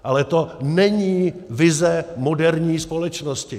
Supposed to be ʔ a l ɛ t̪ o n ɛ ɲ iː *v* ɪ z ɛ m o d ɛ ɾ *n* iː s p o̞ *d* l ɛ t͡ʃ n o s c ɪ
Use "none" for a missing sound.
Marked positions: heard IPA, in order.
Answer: v, ɲ, none

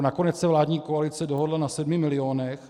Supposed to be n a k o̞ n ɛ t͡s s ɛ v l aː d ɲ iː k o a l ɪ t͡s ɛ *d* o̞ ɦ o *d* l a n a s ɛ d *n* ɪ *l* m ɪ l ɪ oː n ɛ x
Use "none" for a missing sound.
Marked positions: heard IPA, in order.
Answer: d, d, m, none

